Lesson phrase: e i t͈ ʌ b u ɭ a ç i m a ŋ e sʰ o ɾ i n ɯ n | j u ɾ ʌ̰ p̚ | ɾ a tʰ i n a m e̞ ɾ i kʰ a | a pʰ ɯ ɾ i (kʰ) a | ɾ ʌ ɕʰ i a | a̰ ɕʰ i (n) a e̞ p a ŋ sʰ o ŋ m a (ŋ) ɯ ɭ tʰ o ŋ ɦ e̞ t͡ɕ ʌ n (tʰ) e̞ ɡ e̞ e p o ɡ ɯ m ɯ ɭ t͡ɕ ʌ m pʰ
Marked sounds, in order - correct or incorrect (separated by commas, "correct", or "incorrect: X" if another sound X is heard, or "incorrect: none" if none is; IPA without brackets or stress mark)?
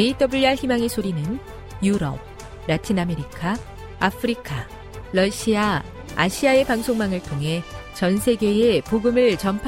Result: correct, incorrect: none, correct, incorrect: sʰ